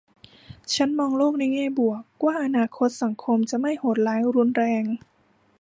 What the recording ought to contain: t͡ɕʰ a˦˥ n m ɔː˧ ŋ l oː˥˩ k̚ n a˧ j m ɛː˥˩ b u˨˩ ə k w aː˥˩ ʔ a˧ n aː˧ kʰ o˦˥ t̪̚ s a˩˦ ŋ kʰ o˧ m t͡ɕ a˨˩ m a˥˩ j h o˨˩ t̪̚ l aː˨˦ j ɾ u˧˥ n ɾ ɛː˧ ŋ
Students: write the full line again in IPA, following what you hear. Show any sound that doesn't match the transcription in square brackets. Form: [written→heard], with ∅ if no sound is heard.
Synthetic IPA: t͡ɕʰ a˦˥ n m ɔː˧ ŋ l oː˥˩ k̚ n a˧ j [m→ŋ] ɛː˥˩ b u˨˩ ə k w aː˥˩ ʔ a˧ n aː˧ kʰ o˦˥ t̪̚ s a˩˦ ŋ kʰ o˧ m t͡ɕ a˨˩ m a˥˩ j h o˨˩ t̪̚ l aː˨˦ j ɾ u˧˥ n ɾ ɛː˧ ŋ